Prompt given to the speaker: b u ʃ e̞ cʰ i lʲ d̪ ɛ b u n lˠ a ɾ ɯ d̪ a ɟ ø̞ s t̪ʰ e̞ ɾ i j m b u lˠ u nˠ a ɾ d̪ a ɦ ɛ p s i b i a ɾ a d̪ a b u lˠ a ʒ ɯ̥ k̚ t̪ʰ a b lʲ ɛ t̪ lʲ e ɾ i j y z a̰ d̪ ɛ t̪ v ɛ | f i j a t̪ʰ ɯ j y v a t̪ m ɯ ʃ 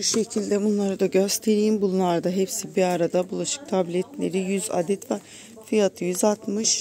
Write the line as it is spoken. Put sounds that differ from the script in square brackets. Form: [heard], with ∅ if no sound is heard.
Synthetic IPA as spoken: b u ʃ e̞ cʰ i lʲ d̪ ɛ b u n lˠ a ɾ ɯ d̪ a ɟ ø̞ s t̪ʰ e̞ ɾ i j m b u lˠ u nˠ a ɾ d̪ a ɦ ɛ p s i b i a ɾ a d̪ a b u lˠ a [ʃ] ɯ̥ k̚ t̪ʰ a b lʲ ɛ t̪ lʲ e ɾ i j y z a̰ d̪ ɛ t̪ v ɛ | f i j a t̪ʰ ɯ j y [z] a t̪ m ɯ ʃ